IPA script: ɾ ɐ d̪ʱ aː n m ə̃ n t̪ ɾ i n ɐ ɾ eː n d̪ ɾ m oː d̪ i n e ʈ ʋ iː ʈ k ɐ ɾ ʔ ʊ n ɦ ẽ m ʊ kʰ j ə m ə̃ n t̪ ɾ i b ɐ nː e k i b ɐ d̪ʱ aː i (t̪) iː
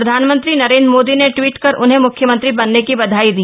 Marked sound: incorrect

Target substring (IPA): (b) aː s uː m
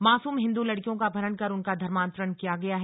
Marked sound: incorrect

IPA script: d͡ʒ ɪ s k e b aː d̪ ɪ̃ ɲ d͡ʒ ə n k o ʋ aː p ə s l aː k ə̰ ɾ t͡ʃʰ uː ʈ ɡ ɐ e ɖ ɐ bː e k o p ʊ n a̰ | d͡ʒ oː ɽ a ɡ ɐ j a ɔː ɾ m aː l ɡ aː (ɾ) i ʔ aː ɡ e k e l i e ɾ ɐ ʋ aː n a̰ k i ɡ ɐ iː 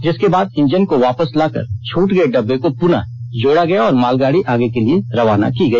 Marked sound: incorrect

